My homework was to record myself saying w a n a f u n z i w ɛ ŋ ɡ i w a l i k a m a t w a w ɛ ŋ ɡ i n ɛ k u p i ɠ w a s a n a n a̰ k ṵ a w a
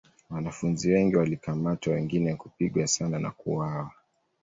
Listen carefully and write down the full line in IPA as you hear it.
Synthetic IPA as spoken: w a n a f u n z i w ɛ ŋ ɡ i w a l i k a m a t w a w ɛ ŋ ɡ i n ɛ k u p i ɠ w a s a n a n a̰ k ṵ a w a